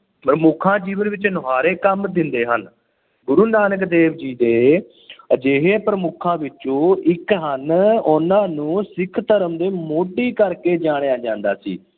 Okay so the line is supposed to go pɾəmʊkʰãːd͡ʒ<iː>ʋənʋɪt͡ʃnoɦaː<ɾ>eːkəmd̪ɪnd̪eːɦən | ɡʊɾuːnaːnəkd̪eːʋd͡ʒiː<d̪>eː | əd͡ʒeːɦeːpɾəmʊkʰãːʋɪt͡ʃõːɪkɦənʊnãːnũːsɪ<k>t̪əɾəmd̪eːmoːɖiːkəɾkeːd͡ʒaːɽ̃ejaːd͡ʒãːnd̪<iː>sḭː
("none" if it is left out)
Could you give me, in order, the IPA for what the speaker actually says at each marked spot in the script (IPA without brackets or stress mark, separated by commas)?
iː, ɾ, d̪, kʰ, aː